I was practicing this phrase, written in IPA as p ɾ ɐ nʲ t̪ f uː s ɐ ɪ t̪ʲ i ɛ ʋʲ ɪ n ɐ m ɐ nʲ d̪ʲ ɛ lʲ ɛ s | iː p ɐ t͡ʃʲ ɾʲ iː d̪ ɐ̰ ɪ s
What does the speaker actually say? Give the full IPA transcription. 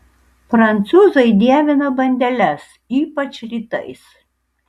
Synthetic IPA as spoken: p ɾ ɐ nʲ t̪ s uː z ɐ ɪ d̪ʲ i ɛ ʋʲ ɪ n ɐ b ɐ nʲ d̪ʲ ɛ lʲ ɛ s | iː p ɐ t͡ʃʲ ɾʲ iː t̪ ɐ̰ ɪ s